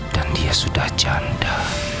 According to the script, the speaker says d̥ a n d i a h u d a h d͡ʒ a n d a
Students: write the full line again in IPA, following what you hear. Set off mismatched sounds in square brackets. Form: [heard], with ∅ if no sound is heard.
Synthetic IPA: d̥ a n d i a [s] u d a h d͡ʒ a n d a